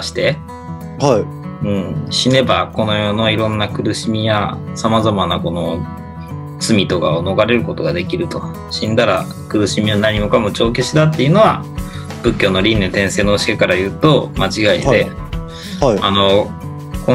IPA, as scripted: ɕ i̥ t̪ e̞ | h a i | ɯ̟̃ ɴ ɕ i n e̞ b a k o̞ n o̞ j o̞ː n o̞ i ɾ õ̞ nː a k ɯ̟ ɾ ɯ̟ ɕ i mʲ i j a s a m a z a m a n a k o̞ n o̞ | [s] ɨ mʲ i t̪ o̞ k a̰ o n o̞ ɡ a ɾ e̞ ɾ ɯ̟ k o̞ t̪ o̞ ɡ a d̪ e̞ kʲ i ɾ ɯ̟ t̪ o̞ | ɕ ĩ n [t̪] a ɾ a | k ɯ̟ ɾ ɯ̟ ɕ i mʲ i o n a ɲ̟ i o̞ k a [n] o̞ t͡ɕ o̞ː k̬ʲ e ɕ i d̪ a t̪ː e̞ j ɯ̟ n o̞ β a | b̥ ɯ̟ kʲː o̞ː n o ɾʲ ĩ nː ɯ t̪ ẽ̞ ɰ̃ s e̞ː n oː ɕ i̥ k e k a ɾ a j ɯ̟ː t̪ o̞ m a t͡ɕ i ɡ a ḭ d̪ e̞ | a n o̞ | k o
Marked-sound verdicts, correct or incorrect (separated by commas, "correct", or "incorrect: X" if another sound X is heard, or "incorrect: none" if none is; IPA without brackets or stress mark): incorrect: t͡s, incorrect: d̪, incorrect: m